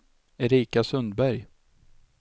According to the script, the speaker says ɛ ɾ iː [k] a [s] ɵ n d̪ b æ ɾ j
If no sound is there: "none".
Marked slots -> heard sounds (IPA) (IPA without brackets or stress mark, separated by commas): k, s